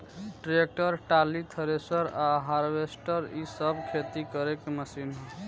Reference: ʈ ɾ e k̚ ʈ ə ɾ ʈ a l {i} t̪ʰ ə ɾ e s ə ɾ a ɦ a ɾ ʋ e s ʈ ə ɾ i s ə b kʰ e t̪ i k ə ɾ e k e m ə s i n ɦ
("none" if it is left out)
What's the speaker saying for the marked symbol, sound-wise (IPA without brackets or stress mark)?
i